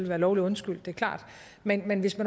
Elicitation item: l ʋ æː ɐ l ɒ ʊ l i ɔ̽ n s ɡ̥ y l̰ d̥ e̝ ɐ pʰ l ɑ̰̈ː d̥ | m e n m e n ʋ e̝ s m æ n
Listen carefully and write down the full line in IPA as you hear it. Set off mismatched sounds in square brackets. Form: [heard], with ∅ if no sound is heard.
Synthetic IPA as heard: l ʋ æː ɐ l ɒ ʊ l i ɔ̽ n s ɡ̥ y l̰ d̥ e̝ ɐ [kʰ] l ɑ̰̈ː d̥ | m e n m e n ʋ e̝ s m æ n